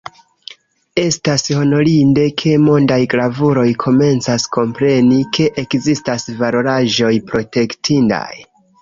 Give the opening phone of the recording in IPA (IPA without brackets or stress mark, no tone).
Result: e̞